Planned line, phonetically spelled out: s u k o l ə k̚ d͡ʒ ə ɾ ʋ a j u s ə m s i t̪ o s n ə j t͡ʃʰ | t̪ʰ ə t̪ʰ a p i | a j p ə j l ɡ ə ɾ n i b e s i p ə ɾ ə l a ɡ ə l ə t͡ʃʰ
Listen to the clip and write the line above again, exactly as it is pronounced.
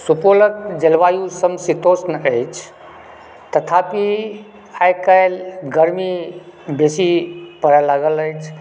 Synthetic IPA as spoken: s u p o l ə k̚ d͡ʒ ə l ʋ a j u s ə m s i t̪ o s n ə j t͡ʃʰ | t̪ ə t̪ʰ a p i | a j k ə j l ɡ ə ɾ m i b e s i p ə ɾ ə l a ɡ ə l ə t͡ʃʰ